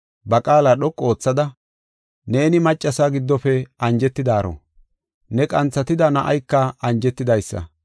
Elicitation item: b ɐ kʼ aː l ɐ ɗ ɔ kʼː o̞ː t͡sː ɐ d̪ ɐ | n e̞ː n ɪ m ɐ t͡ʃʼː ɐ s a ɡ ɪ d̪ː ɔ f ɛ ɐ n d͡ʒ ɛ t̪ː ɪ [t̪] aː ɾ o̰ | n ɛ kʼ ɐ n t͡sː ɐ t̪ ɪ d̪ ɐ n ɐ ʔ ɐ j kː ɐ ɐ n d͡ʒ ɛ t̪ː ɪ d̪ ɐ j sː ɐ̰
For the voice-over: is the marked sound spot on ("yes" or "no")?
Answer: no